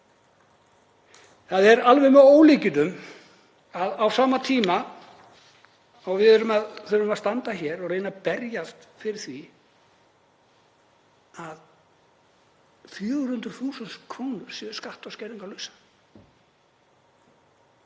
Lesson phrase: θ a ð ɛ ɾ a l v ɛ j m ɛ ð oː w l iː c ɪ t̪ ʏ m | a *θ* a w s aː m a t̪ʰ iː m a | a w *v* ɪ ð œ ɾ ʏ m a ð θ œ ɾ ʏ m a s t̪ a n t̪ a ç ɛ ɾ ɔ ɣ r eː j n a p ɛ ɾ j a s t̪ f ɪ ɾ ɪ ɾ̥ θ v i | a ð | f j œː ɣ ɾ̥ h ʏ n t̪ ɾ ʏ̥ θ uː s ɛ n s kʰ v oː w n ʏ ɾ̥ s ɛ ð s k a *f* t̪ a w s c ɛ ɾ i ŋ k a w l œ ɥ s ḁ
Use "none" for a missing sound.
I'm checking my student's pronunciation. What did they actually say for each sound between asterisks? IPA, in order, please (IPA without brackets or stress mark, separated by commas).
ð, v, h